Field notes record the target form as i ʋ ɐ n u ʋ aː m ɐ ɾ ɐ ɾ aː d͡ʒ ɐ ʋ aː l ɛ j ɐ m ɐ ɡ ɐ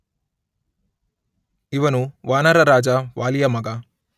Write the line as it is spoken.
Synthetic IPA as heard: i ʋ ɐ n u ʋ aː n ɐ ɾ ɐ ɾ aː d͡ʒ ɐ ʋ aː l i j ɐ m ɐ ɡ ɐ